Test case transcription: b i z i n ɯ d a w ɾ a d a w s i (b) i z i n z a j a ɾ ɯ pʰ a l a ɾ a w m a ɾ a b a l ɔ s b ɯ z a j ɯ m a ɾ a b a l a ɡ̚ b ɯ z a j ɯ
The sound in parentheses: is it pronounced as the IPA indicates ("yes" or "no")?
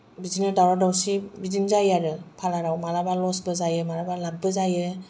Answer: yes